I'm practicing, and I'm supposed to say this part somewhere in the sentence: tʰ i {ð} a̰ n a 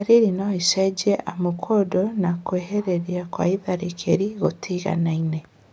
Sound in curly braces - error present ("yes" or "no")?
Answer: yes